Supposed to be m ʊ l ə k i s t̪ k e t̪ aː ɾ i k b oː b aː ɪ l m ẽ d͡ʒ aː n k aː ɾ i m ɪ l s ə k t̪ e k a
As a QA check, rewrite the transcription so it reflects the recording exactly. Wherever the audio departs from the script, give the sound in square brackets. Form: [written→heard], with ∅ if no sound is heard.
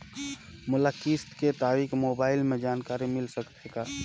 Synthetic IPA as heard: m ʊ l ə k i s t̪ k e t̪ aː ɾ i k [b→m] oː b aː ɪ l m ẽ d͡ʒ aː n k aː ɾ i m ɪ l s ə k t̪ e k a